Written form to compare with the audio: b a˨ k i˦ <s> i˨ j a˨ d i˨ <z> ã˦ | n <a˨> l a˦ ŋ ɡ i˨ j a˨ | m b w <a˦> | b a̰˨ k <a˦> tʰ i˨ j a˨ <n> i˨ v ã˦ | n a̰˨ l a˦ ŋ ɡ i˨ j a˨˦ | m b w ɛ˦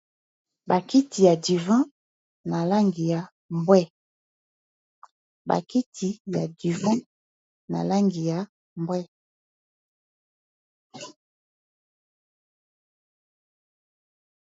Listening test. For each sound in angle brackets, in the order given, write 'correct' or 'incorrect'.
incorrect: t, incorrect: v, correct, incorrect: ɛ˦, incorrect: i˦, incorrect: d

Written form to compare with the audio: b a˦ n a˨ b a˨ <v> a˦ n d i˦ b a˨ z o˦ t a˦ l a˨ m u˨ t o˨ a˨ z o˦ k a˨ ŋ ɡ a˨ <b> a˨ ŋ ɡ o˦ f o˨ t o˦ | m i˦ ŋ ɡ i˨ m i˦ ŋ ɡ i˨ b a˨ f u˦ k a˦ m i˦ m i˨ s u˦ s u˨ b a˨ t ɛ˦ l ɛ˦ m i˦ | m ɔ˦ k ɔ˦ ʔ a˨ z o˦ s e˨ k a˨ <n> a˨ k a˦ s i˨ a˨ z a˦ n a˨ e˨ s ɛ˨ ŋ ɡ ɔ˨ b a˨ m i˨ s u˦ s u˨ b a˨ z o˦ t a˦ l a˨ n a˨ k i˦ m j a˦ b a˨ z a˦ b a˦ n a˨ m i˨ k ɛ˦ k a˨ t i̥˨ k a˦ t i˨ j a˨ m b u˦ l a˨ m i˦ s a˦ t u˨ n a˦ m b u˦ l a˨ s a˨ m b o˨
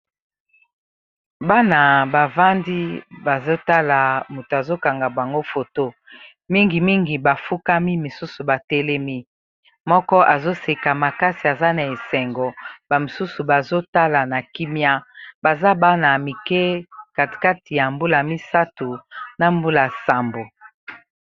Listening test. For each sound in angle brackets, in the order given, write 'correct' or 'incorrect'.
correct, correct, incorrect: m

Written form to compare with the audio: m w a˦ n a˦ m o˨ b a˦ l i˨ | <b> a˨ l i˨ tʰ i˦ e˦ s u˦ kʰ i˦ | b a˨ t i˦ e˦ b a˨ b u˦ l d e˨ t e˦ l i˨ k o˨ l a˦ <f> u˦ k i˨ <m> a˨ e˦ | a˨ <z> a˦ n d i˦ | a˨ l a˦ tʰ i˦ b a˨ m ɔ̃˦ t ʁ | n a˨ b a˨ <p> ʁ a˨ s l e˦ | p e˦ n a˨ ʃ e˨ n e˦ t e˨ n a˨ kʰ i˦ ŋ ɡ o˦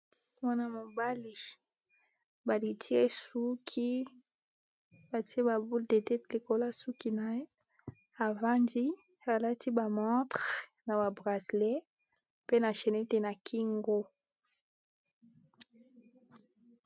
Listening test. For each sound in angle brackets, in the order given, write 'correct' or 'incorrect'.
correct, incorrect: s, incorrect: n, incorrect: v, incorrect: b

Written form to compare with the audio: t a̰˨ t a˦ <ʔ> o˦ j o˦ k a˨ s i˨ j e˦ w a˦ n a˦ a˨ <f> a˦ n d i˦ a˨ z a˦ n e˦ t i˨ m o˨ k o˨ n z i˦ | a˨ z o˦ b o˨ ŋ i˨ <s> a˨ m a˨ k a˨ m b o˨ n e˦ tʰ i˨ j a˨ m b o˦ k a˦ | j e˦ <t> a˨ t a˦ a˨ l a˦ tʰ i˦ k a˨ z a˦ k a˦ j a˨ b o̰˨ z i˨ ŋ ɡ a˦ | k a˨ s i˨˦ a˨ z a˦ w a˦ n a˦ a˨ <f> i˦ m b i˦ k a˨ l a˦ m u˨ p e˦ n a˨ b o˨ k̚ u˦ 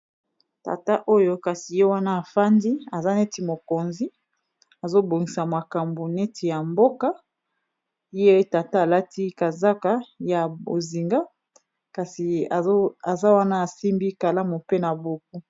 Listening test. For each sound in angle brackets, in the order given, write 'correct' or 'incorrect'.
correct, correct, correct, correct, incorrect: s

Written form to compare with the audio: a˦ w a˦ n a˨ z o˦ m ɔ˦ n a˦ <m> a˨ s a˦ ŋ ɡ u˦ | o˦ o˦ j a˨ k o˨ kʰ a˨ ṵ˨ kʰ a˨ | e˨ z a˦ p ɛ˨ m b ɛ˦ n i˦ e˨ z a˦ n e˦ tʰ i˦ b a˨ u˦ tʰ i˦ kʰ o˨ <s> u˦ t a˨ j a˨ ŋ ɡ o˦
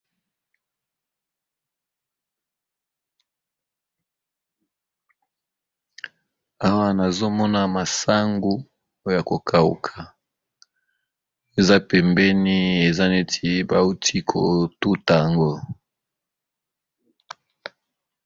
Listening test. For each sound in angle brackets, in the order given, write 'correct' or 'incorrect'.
correct, incorrect: t

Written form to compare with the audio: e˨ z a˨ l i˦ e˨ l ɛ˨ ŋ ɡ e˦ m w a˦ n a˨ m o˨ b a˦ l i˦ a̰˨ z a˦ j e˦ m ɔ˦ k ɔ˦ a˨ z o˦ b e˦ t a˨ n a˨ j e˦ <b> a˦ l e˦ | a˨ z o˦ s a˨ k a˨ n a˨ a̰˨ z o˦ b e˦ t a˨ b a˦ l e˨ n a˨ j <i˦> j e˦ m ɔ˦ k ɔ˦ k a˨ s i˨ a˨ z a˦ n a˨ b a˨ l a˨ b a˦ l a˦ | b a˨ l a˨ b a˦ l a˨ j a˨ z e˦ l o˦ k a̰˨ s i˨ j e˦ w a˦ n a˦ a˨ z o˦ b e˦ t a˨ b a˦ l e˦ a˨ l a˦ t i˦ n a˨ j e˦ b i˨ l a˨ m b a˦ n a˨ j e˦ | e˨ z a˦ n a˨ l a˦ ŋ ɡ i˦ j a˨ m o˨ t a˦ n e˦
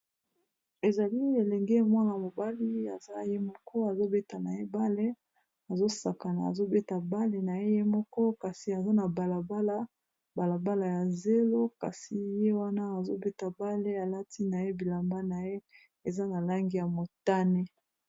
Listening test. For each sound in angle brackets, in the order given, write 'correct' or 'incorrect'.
correct, incorrect: e˦

